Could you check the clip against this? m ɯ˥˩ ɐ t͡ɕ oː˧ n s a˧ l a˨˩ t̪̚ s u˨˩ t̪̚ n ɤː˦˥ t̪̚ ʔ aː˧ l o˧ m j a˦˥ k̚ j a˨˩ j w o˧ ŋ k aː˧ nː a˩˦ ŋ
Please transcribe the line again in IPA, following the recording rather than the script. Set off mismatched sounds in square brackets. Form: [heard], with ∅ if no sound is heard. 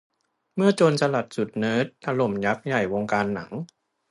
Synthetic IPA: m ɯ˥˩ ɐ t͡ɕ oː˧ n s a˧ l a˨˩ t̪̚ s u˨˩ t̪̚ n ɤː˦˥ t̪̚ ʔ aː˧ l [o˨˩] m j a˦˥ k̚ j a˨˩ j w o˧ ŋ k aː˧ nː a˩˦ ŋ

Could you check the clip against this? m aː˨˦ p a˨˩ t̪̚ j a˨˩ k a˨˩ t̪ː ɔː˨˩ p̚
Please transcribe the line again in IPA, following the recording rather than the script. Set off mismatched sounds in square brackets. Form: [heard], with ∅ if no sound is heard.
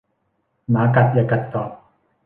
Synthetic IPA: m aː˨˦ [k] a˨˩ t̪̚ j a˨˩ k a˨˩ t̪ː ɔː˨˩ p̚

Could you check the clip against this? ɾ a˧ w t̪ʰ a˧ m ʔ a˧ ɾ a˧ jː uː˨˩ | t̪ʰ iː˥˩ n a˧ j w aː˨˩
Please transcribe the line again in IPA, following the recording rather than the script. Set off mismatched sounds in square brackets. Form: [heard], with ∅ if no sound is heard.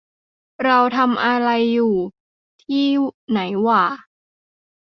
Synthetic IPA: ɾ a˧ w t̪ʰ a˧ m ʔ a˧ ɾ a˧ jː uː˨˩ | t̪ʰ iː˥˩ n [a˩˦] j w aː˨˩

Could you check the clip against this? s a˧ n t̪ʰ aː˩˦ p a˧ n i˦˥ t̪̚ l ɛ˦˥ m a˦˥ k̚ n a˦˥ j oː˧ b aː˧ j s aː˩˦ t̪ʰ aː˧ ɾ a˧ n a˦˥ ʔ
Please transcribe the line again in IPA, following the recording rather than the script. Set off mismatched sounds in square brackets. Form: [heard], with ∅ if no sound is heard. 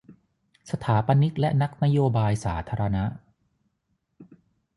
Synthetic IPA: s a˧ [∅] t̪ʰ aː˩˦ p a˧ n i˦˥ t̪̚ l ɛ˦˥ [n] a˦˥ k̚ n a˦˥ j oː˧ b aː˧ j s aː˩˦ t̪ʰ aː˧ ɾ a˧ n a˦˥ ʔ

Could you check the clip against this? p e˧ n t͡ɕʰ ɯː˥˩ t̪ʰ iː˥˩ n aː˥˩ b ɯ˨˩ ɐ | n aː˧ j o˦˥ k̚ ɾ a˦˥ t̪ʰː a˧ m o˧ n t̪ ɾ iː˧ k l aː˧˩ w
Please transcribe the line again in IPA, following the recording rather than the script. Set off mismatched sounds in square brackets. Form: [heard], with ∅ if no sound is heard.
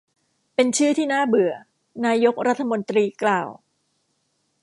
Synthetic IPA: p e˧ n t͡ɕʰ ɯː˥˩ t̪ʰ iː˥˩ n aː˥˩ b ɯ˨˩ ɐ | n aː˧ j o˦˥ k̚ ɾ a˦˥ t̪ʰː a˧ m o˧ n t̪ ɾ iː˧ k l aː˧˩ w

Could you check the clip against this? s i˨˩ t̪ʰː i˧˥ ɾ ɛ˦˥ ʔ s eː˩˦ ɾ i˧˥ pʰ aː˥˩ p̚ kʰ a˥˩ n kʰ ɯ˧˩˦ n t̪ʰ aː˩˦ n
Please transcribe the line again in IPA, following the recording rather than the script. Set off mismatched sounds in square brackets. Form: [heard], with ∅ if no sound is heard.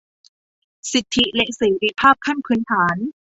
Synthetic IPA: s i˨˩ t̪ʰː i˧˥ [l] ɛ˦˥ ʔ s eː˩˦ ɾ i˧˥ pʰ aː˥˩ p̚ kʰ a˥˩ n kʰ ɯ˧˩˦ n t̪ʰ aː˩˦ n

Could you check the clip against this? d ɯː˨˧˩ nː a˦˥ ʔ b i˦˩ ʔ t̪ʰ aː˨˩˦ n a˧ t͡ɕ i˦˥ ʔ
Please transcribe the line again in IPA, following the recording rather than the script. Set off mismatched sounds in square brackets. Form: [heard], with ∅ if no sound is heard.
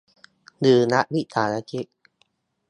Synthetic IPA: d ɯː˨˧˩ [n] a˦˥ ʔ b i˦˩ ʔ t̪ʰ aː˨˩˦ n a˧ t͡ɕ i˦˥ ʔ

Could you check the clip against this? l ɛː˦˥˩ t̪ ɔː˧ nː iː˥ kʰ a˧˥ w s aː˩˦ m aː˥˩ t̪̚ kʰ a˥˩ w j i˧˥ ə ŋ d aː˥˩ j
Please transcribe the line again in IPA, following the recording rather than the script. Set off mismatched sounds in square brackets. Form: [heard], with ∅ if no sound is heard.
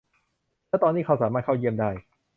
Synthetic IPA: l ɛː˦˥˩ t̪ ɔː˧ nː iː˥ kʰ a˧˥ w s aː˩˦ m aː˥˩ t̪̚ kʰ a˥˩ w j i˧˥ ə [m] d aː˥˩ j

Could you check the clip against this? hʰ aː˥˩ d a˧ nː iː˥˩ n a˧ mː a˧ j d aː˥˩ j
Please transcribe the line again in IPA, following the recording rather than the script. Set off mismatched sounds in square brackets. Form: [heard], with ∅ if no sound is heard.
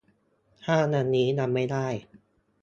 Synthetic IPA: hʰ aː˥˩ [n] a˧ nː [iː˦˥] n a˧ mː [a˥˩] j d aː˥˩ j

